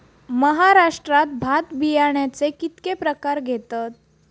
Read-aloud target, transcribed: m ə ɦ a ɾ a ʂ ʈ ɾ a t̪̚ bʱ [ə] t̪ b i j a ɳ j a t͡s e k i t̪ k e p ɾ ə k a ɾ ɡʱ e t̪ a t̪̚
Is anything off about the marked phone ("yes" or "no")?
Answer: yes